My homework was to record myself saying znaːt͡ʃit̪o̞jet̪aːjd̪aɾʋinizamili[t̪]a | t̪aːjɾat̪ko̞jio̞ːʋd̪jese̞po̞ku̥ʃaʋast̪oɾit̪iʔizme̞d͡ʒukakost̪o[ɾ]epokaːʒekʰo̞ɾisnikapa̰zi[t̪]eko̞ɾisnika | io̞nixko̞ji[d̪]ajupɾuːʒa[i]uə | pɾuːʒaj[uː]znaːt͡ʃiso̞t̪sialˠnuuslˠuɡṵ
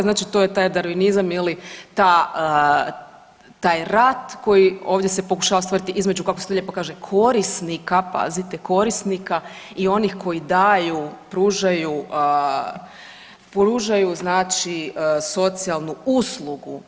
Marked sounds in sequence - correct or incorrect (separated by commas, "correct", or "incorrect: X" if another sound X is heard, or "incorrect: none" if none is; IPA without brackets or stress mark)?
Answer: correct, incorrect: ʎ, correct, correct, incorrect: j, incorrect: u